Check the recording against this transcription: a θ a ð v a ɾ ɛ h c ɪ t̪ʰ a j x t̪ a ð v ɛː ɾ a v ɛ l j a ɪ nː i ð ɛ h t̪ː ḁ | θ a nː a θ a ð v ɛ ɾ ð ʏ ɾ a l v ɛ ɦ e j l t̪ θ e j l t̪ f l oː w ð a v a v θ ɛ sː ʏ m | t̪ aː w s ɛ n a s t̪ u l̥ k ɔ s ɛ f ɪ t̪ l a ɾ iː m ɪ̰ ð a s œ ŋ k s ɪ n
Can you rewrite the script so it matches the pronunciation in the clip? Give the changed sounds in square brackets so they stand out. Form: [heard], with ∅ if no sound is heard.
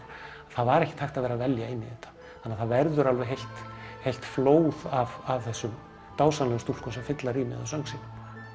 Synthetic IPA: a θ a ð v a ɾ ɛ h c ɪ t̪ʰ a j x t̪ a ð v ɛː ɾ a v ɛ l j a ɪ nː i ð ɛ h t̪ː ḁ | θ a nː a θ a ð v ɛ ɾ ð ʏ ɾ a l v ɛ ɦ e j l t̪ [h] e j l t̪ f l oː w ð a v a v θ ɛ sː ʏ m | t̪ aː w s [a] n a s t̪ u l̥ k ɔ s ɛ f ɪ t̪ l a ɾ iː m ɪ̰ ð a s œ ŋ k s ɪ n